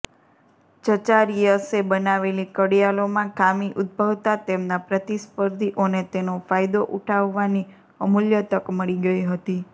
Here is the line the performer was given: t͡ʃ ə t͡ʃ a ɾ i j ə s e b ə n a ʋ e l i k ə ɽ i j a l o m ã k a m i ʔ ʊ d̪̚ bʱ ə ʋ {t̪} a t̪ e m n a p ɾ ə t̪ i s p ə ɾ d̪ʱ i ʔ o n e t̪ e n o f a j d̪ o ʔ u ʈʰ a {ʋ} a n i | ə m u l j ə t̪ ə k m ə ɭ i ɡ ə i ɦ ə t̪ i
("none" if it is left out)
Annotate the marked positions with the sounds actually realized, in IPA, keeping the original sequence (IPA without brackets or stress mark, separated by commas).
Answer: t̪, ʋː